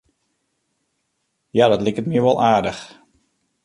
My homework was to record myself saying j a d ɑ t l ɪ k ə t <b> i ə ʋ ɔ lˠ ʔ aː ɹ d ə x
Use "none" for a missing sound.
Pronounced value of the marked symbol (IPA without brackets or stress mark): m